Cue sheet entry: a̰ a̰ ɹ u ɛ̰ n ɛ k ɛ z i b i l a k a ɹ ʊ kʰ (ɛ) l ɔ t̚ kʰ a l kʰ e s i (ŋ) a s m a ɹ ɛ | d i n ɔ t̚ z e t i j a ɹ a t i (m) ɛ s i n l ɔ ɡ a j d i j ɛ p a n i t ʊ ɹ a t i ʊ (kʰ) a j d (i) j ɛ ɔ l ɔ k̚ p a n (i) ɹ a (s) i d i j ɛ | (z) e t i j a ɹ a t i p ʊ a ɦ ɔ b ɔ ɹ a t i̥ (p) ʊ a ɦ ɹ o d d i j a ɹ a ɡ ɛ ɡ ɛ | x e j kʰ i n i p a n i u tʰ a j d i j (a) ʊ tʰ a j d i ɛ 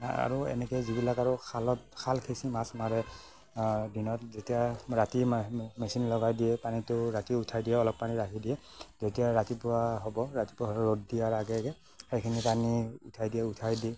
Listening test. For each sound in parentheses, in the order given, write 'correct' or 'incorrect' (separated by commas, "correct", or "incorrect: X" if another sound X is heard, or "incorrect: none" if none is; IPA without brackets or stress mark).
incorrect: a, incorrect: m, correct, incorrect: tʰ, correct, correct, incorrect: t, correct, correct, incorrect: ɛ